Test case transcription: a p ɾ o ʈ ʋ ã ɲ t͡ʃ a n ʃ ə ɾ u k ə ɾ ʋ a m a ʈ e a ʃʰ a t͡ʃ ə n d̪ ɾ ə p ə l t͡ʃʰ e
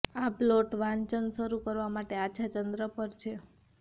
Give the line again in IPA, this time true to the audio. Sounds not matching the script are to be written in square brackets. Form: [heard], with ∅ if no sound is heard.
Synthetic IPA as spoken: a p [l] o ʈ ʋ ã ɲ t͡ʃ [ə] n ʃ ə ɾ u k ə ɾ ʋ a m a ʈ e a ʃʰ a t͡ʃ ə n d̪ ɾ ə p ə [ɾ] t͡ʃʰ e